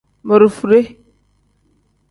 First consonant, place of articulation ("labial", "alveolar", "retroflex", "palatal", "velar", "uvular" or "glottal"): labial